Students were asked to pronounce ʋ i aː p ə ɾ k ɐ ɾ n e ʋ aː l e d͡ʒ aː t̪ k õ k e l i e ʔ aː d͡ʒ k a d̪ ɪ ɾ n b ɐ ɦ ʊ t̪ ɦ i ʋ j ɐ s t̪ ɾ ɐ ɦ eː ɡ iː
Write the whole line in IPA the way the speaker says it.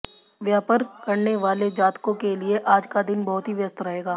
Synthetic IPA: ʋ j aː p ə ɾ k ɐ ɾ n e ʋ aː l e d͡ʒ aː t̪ k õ k e l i e ʔ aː d͡ʒ k a d̪ ɪ n b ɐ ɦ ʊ t̪ ɦ i ʋ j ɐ s t̪ ɾ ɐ ɦ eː ɡ aː